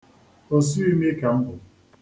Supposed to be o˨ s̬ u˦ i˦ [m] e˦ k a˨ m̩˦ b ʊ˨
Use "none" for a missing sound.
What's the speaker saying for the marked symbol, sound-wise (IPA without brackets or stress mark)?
m